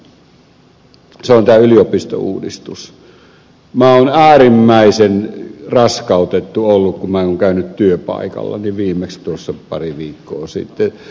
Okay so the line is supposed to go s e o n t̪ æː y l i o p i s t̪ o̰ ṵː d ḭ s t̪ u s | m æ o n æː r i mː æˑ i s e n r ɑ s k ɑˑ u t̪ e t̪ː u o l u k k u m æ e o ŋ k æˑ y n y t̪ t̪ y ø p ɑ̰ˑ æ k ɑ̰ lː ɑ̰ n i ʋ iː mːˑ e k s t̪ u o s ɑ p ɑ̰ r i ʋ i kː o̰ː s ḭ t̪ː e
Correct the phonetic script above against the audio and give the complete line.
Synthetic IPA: s e o n t̪ æː y l i o p i s t̪ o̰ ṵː d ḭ s t̪ u s | m æ o n æː r i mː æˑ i s e n r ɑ s k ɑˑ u t̪ e t̪ː u o lː u k k u m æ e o ŋ k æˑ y n y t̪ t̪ y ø p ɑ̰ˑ i k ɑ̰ lː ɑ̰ n i ʋ iː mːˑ e k s t̪ u o sː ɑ p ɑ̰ r i ʋ iː kː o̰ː s ḭ t̪ː e